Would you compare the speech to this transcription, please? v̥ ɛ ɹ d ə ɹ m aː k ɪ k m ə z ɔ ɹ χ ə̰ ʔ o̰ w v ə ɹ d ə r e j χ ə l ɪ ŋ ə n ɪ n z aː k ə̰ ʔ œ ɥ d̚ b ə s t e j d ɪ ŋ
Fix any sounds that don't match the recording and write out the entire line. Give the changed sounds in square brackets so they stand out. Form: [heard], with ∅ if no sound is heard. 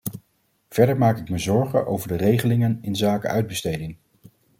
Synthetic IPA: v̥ ɛ ɹ d ə ɹ m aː k ɪ k m ə z ɔ ɹ χ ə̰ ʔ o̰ w v ə ɹ d ə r e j χ ə l ɪ ŋ ə n ɪ n z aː k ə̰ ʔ œ ɥ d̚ b ə s t e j d ɪ ŋ